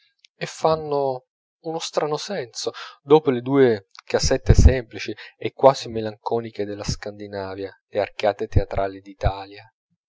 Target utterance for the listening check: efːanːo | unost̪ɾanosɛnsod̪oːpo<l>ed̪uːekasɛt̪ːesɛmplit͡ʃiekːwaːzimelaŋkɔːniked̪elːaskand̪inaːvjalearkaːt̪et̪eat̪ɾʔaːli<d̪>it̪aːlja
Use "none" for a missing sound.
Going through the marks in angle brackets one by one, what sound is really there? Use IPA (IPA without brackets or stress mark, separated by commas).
l, d̪